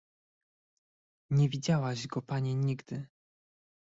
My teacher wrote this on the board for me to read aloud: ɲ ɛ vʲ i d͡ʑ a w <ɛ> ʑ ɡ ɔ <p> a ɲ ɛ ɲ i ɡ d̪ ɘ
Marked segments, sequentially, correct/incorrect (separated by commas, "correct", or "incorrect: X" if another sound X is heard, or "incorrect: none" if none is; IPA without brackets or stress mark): incorrect: a, correct